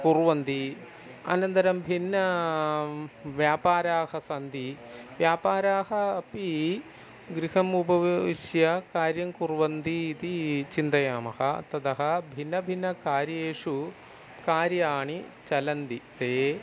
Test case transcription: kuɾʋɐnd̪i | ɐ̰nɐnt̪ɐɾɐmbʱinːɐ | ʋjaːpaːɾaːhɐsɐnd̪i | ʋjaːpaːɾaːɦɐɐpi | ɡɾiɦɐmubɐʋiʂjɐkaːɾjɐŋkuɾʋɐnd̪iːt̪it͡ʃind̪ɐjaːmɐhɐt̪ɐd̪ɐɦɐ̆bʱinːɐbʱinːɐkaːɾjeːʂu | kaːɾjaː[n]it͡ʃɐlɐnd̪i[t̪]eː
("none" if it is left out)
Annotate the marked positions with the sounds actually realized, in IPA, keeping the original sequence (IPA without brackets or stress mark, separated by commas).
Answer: ɳ, t̪